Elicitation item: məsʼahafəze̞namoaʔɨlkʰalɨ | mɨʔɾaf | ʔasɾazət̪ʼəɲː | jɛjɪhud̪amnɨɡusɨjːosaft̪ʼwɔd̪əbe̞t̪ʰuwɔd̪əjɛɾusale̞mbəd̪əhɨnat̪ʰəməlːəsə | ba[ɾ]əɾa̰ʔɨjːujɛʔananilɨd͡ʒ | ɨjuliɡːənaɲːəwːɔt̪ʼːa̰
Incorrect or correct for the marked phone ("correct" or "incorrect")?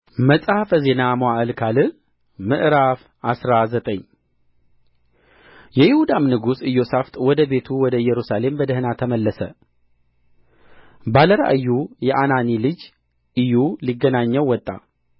incorrect